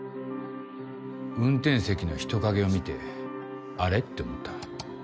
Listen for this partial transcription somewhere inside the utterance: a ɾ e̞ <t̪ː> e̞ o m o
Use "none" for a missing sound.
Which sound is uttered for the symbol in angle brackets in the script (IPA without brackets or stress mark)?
t̪ː